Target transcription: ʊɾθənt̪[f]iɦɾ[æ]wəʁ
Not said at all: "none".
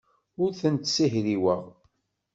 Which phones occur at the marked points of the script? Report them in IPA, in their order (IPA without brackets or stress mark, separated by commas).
s, i